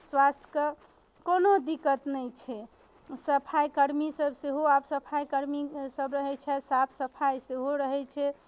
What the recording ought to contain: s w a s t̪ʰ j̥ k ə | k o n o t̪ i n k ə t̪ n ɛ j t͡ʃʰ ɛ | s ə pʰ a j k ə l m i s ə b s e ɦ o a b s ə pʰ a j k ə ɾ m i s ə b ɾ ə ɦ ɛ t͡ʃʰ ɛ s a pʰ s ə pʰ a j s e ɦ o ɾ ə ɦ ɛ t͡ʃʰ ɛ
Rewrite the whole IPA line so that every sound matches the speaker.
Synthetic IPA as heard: s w a s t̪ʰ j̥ k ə | k o n o d̪ i k ə t̪ n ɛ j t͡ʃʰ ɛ | s ə pʰ a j k ə ɾ m i s ə b s e ɦ o a b s ə pʰ a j k ə ɾ m i s ə b ɾ ə ɦ ɛ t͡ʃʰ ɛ s a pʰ s ə pʰ a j s e ɦ o ɾ ə ɦ ɛ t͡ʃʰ ɛ